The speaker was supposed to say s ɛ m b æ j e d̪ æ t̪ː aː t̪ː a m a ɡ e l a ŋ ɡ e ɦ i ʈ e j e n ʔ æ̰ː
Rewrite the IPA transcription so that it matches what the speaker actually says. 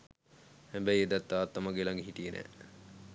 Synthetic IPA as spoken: h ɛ m b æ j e d̪ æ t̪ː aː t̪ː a m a ɡ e l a ŋ ɡ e ɦ i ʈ i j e n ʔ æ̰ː